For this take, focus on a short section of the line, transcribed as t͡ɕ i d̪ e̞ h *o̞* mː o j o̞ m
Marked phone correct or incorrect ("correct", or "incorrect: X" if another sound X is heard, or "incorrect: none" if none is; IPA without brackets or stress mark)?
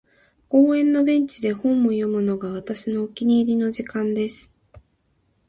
incorrect: õ̞